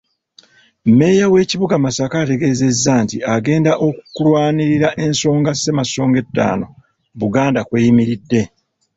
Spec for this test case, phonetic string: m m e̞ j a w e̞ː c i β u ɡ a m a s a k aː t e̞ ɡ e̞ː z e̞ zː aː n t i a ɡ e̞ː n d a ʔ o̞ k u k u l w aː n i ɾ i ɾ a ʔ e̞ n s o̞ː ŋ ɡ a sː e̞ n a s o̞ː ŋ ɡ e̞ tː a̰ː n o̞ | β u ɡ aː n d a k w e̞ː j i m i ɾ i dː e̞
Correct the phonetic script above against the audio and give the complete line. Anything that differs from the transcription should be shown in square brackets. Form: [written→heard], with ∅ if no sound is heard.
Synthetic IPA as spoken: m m e̞ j a w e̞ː c i β u ɡ a m a s a k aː t e̞ ɡ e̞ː z e̞ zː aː n t i a ɡ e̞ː n d a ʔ o̞ k u k u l w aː n i ɾ i ɾ a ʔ e̞ n s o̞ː ŋ ɡ a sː e̞ [n→m] a s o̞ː ŋ ɡ e̞ tː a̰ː n o̞ | β u ɡ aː n d a k w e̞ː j i m i ɾ i dː e̞